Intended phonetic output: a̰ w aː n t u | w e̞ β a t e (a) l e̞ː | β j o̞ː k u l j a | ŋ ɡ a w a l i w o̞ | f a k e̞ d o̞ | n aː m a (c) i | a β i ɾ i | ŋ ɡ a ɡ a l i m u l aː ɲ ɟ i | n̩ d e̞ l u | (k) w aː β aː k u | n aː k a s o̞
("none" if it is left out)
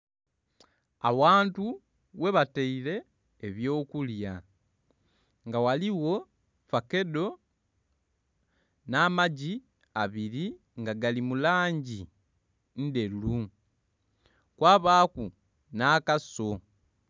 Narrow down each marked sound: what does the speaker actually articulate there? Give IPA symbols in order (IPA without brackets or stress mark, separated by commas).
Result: i, ɟ, k